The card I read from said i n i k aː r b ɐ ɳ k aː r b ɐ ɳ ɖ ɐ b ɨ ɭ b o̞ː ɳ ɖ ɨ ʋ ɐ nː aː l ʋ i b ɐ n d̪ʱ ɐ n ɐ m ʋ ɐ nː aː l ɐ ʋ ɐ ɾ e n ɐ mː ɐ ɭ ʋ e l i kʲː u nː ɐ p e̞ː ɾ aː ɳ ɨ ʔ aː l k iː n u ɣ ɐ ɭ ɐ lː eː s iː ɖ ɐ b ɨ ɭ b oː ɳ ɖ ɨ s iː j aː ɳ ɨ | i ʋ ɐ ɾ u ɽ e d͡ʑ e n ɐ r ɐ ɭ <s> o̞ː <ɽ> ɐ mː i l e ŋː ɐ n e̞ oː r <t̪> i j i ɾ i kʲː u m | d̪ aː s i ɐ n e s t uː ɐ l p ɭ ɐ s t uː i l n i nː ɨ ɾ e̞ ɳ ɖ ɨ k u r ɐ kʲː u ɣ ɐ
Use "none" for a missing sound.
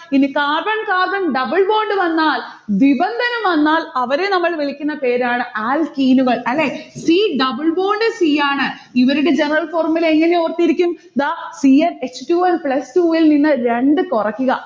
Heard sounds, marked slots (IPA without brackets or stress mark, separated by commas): f, r, t̪